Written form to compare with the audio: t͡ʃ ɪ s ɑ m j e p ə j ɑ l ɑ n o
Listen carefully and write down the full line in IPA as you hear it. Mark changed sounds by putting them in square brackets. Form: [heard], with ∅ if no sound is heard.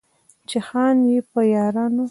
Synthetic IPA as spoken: t͡ʃ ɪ [x] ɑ [n] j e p ə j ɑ [ɾ] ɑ n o